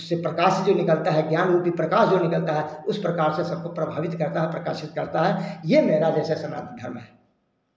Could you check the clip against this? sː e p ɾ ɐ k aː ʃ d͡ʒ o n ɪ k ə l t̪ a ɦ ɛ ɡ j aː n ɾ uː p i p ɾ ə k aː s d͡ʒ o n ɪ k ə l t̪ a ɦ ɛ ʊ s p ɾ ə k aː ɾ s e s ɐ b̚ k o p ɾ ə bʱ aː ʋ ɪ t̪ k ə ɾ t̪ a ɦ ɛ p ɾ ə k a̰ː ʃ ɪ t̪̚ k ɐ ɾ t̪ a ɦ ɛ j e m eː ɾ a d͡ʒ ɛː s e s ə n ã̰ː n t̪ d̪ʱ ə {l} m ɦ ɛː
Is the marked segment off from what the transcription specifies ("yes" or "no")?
yes